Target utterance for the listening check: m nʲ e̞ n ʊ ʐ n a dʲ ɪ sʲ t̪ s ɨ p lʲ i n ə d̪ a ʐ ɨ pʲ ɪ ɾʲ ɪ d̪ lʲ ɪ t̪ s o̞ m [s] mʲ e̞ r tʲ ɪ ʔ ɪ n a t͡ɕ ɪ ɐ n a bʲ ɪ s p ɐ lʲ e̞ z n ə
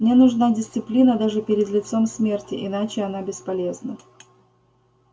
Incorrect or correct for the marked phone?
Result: correct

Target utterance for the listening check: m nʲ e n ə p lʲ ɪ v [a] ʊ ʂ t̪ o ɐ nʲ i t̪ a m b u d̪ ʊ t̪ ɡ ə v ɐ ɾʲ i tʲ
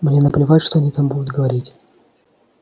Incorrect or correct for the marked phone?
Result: correct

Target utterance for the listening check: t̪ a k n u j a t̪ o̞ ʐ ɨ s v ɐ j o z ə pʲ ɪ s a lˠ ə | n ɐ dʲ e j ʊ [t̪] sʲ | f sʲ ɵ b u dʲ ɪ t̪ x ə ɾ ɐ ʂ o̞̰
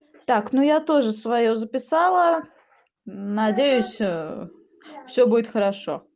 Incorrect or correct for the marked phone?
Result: incorrect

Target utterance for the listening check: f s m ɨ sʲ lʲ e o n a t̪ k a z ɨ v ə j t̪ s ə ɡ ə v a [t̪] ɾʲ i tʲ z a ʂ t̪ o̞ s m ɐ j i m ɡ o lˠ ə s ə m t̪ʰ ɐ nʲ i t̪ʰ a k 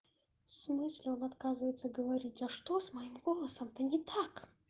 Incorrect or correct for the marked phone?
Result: incorrect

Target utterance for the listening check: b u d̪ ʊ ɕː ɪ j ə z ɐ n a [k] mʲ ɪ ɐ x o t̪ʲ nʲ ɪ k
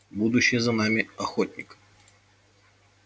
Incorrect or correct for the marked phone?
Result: incorrect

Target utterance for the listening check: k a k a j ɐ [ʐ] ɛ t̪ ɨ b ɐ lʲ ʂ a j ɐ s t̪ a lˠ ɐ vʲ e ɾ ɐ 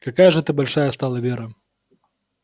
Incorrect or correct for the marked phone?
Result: correct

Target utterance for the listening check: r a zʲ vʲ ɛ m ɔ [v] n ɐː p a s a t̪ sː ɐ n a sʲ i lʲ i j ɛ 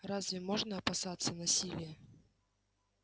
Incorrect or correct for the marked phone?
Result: incorrect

